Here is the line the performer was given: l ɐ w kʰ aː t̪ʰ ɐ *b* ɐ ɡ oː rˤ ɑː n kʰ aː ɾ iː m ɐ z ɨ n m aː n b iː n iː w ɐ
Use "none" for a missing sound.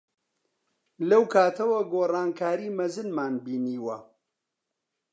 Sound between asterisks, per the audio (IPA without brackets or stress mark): w